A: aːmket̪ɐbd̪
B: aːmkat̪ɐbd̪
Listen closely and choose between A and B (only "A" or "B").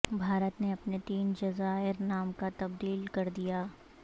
B